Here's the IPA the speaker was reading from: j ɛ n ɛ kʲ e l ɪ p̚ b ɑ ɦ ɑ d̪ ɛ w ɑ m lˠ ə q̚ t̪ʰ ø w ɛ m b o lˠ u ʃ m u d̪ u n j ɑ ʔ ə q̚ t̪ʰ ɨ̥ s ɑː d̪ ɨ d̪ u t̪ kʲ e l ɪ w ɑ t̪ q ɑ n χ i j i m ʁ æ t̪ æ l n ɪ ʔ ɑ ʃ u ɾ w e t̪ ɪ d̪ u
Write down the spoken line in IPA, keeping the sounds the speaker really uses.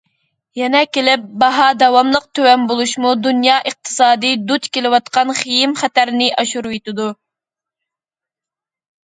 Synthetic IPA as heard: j ɛ n ɛ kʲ e l ɪ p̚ b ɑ ɦ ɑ d̪ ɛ w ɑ m lˠ ə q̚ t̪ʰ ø w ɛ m b o lˠ u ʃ m u d̪ u n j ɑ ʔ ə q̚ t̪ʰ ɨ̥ s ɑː d̪ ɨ d̪ u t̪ kʲ e l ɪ w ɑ t̪ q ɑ n χ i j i m χ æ t̪ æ ɾ n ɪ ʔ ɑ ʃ u ɾ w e t̪ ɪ d̪ u